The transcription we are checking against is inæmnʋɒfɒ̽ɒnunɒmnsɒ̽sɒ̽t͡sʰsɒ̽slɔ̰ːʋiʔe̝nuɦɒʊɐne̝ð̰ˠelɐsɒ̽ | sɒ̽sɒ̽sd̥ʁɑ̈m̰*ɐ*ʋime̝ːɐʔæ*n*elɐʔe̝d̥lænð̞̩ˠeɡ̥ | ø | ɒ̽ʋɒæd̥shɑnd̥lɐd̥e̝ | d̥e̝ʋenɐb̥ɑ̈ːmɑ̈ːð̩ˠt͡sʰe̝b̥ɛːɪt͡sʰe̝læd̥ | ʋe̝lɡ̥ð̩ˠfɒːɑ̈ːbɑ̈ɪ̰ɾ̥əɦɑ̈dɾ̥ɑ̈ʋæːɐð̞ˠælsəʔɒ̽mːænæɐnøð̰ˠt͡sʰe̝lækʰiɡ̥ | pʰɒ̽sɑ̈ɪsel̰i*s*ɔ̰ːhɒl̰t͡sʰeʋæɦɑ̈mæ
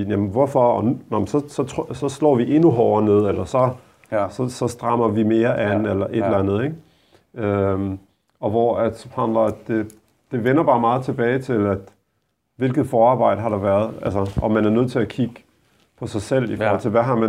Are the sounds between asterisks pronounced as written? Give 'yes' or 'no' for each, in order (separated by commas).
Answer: yes, yes, no